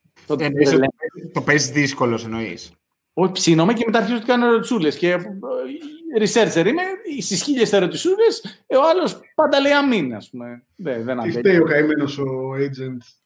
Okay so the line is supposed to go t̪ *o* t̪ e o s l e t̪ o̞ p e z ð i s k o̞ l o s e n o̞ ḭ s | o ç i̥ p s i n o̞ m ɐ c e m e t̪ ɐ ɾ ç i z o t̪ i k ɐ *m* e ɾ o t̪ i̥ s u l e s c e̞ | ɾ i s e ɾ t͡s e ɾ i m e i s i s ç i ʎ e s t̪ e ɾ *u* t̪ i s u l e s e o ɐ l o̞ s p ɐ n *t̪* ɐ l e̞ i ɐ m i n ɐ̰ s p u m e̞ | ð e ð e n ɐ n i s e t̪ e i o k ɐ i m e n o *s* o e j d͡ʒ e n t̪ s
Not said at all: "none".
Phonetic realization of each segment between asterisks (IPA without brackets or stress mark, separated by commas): o, n, o, d̪, s